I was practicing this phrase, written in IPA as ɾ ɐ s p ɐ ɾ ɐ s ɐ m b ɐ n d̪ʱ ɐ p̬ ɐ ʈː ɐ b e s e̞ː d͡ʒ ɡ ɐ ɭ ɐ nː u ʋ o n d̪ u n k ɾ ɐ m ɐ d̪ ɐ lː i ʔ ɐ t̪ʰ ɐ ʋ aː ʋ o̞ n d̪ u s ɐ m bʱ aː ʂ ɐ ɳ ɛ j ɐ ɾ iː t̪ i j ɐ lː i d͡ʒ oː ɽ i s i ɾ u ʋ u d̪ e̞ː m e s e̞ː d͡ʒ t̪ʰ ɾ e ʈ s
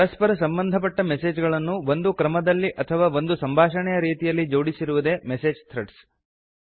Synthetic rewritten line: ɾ ɐ s p ɐ ɾ ɐ s ɐ m b ɐ n d̪ʱ ɐ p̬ ɐ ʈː ɐ m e s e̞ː d͡ʒ ɡ ɐ ɭ ɐ nː u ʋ o n d̪ u k ɾ ɐ m ɐ d̪ ɐ lː i ʔ ɐ t̪ʰ ɐ ʋ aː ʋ o̞ n d̪ u s ɐ m bʱ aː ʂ ɐ ɳ ɛ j ɐ ɾ iː t̪ i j ɐ lː i d͡ʒ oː ɽ i s i ɾ u ʋ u d̪ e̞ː m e s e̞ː d͡ʒ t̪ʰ ɾ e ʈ s